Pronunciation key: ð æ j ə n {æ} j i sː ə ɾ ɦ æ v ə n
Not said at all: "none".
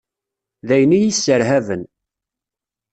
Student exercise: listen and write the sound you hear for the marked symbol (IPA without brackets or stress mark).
i